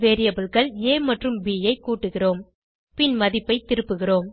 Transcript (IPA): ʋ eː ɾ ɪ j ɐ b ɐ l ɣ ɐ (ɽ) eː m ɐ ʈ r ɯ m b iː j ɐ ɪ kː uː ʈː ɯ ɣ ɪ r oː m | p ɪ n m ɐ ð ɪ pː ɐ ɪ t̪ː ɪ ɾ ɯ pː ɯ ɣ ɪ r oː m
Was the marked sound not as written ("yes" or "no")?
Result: yes